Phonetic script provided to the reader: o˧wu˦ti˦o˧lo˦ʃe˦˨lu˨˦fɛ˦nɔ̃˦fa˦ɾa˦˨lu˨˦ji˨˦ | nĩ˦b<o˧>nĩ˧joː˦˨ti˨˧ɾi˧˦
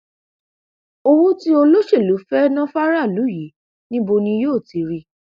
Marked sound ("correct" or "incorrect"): correct